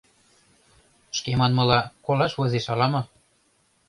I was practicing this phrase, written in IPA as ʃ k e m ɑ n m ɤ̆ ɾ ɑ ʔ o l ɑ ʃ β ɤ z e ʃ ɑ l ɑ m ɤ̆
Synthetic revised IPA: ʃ k e m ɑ n m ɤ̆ l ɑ k o l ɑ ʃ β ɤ z e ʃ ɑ l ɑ m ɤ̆